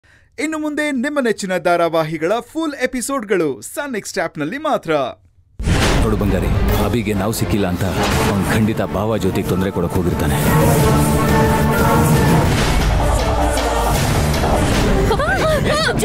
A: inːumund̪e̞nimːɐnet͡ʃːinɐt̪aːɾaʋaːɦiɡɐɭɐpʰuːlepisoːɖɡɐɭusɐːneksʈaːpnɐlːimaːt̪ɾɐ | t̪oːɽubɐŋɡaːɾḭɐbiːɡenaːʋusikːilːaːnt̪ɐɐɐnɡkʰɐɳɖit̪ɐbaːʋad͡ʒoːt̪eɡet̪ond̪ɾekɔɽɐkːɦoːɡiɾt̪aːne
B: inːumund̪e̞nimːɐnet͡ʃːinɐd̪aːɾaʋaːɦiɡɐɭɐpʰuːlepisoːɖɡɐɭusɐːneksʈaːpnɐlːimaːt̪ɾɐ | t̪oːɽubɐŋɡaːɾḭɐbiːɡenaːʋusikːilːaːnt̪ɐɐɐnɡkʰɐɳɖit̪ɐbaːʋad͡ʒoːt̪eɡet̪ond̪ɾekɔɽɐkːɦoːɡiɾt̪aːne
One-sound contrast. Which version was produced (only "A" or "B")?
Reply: B